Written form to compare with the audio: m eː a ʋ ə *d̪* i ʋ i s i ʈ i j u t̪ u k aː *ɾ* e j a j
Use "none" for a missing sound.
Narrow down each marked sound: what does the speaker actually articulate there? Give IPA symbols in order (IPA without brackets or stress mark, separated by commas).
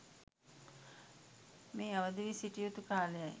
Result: d̪, l